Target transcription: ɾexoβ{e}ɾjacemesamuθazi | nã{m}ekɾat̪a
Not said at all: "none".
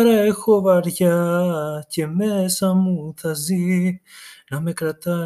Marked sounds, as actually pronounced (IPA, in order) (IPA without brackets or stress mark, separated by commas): a, m